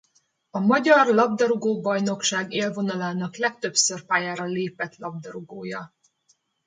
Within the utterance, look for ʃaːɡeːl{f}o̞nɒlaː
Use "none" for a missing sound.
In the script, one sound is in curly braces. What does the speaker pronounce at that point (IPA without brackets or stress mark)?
v